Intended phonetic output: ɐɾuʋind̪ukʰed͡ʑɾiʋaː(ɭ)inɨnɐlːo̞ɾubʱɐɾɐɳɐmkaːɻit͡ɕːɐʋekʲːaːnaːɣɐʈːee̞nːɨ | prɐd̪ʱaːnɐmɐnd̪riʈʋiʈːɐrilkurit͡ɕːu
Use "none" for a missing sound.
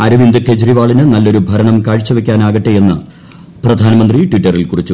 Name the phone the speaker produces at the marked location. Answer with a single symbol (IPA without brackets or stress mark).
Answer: ɭ